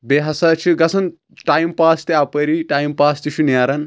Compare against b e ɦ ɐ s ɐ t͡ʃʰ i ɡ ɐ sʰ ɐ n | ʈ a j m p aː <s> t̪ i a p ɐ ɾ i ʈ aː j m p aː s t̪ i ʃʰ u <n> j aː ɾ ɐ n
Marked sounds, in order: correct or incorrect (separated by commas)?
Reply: correct, correct